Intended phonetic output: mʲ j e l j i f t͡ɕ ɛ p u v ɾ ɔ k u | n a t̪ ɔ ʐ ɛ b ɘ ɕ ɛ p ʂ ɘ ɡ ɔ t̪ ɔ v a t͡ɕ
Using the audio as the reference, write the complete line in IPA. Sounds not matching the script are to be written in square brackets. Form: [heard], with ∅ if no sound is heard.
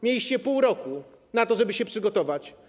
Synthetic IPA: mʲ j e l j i [ɕ] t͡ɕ ɛ p u [w] ɾ ɔ k u | n a t̪ ɔ ʐ ɛ b ɘ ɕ ɛ p ʂ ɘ ɡ ɔ t̪ ɔ v a t͡ɕ